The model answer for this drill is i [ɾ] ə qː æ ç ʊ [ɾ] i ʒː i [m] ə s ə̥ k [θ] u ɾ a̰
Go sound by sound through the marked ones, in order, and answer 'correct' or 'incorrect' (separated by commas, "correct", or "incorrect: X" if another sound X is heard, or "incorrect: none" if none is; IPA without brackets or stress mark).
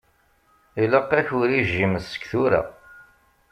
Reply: incorrect: l, correct, correct, correct